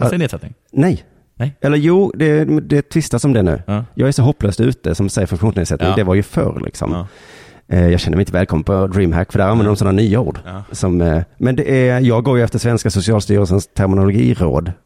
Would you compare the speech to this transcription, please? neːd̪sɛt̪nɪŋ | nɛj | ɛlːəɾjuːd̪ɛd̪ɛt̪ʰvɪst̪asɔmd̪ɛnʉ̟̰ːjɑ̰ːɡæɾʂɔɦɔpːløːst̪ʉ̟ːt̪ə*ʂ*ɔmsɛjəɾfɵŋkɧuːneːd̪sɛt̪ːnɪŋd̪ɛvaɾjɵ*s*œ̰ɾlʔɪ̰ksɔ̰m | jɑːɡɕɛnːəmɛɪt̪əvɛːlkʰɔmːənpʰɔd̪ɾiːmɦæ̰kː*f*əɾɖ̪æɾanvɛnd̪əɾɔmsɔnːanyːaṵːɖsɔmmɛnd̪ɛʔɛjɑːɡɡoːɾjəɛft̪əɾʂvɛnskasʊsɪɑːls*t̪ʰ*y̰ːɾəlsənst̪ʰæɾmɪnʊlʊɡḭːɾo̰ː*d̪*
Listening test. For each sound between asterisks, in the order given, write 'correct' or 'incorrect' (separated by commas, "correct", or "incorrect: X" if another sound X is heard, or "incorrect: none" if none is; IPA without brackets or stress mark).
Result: incorrect: s, incorrect: f, correct, incorrect: t̪, correct